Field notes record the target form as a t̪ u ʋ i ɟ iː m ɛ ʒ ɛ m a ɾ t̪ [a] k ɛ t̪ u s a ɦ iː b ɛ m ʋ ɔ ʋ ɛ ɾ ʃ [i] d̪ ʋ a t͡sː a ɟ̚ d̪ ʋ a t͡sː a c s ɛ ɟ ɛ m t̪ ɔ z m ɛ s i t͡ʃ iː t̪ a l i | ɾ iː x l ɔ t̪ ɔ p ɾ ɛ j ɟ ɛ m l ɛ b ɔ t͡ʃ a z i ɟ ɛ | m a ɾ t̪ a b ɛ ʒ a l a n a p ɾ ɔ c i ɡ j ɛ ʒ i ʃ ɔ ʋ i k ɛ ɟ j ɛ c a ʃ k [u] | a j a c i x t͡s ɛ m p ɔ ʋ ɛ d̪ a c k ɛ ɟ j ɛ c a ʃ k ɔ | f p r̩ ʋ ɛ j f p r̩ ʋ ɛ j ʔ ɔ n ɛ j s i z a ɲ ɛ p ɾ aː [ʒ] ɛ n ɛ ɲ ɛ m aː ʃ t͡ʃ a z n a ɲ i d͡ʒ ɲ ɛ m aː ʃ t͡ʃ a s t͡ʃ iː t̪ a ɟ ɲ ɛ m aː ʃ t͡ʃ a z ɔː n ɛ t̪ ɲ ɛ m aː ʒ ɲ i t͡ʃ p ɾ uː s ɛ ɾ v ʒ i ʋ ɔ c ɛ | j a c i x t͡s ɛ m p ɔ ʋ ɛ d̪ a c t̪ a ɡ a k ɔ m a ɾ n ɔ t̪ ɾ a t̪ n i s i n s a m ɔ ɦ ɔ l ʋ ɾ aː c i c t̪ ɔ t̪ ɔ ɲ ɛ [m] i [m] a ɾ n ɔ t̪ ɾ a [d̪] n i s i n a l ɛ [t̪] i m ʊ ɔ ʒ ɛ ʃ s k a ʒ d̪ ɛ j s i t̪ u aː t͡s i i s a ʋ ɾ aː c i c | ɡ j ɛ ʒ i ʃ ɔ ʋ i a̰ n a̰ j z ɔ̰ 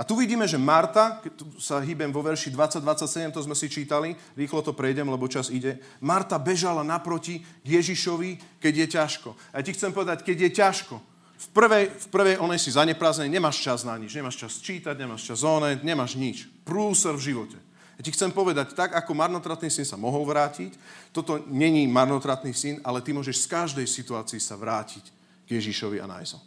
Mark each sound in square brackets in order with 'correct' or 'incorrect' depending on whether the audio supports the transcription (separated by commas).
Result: correct, correct, incorrect, incorrect, incorrect, correct, incorrect, correct